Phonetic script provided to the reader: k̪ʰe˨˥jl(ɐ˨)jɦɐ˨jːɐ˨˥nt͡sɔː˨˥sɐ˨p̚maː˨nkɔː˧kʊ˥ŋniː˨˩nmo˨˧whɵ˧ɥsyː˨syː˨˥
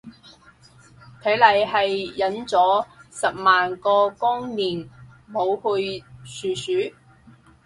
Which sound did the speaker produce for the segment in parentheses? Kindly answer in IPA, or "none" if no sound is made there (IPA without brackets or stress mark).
ɐ˨